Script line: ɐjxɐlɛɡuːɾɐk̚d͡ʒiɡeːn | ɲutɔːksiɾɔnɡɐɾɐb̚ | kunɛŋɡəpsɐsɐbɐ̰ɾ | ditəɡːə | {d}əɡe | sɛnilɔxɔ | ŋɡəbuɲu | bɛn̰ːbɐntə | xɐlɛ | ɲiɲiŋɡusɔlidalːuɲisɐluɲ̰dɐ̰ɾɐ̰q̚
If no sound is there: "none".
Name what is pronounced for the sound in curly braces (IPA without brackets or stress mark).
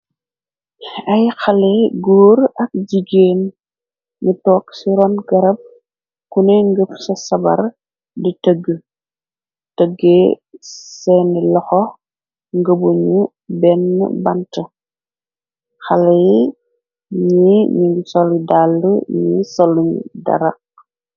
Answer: t